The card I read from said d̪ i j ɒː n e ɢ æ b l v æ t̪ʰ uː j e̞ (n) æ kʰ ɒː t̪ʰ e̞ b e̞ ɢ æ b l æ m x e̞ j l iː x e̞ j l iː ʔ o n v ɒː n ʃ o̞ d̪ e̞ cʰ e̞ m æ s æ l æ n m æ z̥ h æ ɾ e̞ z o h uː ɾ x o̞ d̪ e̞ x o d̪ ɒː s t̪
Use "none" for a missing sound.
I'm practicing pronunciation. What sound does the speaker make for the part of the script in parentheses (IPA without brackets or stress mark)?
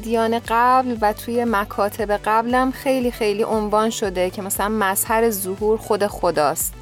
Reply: m